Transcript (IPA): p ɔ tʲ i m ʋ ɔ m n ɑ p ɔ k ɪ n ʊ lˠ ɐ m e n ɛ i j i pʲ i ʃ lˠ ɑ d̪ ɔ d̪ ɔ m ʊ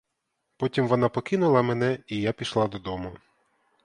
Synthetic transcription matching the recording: p ɔ tʲ i m ʋ ɔ n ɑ p ɔ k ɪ n ʊ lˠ ɐ m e n ɛ i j a pʲ i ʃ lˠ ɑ d̪ ɔ d̪ ɔ m ʊ